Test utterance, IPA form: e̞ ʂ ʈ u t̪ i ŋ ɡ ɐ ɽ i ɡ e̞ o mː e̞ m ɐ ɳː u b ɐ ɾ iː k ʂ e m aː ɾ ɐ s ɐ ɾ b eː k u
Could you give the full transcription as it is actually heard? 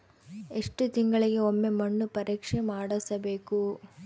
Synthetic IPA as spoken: e̞ ʂ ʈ u t̪ i ŋ ɡ ɐ ɭ i ɡ e̞ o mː e̞ m ɐ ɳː u p ɐ ɾ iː k ʂ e m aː ɽ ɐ s ɐ b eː k u